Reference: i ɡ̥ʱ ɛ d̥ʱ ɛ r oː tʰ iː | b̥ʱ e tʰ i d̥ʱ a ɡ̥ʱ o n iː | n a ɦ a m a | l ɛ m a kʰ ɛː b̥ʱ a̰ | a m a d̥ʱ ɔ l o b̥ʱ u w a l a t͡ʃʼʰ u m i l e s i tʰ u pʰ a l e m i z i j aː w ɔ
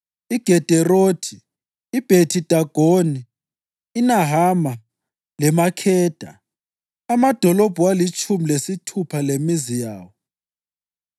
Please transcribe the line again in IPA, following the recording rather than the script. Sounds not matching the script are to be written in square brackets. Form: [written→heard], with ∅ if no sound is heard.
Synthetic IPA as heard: i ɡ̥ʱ ɛ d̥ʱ ɛ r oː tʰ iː | b̥ʱ e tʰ i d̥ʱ a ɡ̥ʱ o n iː | n a ɦ a m a | l ɛ m a kʰ ɛː [b̥ʱ→d̥ʱ] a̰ | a m a d̥ʱ ɔ l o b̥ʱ u w a l [a→i] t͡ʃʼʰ u m i l e s i tʰ u pʰ a l e m i z i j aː w ɔ